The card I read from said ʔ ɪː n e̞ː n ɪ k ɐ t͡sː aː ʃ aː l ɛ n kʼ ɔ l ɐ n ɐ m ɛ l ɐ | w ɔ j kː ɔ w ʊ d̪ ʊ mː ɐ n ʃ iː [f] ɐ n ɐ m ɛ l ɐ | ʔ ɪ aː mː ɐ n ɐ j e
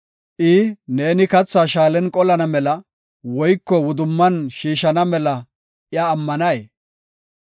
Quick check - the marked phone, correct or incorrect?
incorrect: ʃ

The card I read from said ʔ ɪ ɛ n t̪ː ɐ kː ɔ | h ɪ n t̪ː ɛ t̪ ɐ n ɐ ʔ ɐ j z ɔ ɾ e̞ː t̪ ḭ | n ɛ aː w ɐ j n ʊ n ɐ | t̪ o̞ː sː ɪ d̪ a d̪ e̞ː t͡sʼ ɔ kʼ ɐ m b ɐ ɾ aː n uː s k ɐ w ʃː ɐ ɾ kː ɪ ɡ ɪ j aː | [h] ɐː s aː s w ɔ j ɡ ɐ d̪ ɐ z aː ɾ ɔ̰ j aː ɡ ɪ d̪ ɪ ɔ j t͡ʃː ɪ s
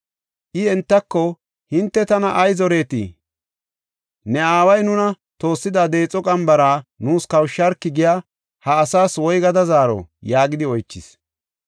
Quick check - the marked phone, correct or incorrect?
correct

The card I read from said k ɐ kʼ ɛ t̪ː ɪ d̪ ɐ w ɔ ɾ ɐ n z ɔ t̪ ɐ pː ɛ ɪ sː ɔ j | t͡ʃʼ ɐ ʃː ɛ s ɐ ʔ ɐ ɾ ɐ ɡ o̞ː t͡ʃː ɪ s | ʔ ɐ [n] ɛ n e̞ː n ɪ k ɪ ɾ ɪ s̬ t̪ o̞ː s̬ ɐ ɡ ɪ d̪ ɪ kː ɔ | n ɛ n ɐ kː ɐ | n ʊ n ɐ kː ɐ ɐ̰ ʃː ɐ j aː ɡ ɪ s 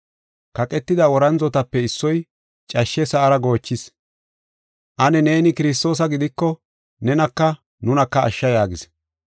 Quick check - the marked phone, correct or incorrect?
correct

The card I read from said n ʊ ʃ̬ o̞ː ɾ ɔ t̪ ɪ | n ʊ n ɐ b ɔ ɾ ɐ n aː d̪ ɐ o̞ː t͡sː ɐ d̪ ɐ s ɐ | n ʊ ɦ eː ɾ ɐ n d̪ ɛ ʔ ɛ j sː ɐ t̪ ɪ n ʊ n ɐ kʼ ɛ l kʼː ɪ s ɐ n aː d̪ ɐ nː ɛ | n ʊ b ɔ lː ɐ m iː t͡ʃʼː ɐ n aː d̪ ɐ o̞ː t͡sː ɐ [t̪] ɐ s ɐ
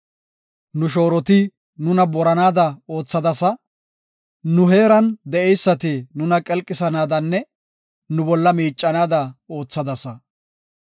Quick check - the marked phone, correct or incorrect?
incorrect: d̪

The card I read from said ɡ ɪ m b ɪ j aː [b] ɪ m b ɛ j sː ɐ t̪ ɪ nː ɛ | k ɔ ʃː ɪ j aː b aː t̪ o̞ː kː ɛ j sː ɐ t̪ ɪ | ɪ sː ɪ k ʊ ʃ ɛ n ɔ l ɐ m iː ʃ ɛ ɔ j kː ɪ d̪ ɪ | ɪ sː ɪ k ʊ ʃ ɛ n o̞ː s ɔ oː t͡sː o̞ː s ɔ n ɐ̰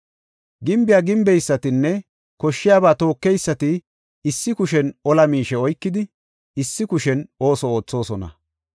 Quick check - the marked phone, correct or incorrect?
incorrect: ɡ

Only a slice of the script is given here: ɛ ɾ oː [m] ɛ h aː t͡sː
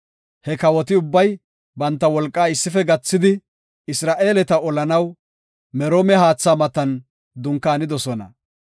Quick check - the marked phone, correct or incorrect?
correct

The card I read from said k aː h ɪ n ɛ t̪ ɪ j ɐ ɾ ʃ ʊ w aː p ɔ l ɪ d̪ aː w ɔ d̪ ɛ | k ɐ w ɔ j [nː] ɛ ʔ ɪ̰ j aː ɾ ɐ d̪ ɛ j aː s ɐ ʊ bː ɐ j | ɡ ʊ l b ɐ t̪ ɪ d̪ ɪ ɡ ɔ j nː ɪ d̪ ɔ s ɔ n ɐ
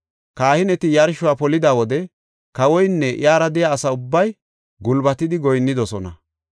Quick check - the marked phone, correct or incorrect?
correct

